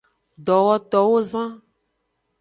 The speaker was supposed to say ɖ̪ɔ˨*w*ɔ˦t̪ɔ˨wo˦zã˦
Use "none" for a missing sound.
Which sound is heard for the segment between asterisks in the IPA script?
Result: w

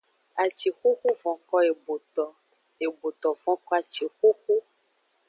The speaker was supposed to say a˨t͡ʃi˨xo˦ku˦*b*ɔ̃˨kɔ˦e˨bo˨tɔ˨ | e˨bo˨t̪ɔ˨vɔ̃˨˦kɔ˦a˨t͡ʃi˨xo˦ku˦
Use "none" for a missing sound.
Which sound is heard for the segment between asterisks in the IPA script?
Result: v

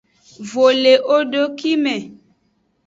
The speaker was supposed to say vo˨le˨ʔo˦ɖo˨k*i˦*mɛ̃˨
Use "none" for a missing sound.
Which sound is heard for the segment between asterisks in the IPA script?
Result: i˦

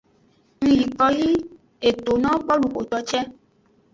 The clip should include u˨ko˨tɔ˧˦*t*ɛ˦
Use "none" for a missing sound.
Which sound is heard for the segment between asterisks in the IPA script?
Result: t͡ʃ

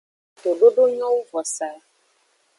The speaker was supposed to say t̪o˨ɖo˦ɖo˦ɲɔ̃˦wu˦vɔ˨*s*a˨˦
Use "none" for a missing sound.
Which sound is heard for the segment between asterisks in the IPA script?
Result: s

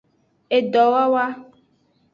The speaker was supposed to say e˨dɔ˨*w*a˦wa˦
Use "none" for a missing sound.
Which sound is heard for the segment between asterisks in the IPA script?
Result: w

